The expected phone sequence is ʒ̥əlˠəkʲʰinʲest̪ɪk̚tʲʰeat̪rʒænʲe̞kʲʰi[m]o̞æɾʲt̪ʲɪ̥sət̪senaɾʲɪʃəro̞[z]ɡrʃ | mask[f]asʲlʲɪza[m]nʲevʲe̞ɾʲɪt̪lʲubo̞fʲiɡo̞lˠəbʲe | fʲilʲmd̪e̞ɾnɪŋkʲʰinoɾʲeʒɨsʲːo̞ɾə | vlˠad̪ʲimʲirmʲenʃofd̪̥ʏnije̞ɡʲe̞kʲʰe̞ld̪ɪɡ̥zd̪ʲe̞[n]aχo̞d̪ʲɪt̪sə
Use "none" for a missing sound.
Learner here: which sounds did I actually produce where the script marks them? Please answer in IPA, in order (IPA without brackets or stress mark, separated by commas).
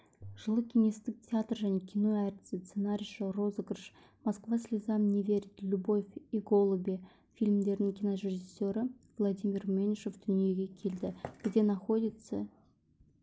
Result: n, z, v, m, n